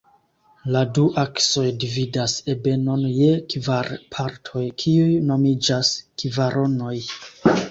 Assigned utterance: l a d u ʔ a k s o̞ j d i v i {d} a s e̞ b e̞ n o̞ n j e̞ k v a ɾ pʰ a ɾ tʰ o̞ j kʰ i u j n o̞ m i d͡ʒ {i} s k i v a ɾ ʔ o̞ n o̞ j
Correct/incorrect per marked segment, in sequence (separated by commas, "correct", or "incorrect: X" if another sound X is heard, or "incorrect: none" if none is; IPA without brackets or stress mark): correct, incorrect: a